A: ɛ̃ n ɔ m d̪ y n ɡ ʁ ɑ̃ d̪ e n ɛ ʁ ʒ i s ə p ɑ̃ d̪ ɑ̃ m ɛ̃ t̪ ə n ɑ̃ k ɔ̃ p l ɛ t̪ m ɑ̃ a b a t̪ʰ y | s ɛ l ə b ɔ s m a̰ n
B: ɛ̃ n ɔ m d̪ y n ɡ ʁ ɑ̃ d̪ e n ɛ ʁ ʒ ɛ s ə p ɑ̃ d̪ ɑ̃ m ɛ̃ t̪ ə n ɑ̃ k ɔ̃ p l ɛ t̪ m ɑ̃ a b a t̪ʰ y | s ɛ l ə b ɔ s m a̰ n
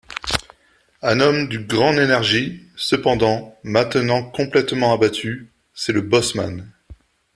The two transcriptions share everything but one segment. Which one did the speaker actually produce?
A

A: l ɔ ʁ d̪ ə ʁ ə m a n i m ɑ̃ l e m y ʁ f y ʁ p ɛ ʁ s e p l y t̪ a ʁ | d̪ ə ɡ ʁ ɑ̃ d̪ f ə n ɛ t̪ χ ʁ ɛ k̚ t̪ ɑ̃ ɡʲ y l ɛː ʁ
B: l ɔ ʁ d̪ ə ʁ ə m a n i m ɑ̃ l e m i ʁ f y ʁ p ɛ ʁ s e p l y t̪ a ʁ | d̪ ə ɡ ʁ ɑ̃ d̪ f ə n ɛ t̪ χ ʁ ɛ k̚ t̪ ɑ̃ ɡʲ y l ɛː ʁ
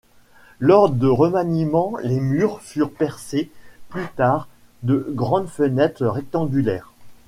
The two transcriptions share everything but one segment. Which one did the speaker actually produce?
A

